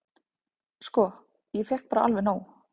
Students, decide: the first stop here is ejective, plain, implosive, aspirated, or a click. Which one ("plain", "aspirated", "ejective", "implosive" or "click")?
plain